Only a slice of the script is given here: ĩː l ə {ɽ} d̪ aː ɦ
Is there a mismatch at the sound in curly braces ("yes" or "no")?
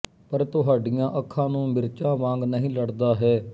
no